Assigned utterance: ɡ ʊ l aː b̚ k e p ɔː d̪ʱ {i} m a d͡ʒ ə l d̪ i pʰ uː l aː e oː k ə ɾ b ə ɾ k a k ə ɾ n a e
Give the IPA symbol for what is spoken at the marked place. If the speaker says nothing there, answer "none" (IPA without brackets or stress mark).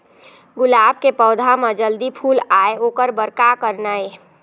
a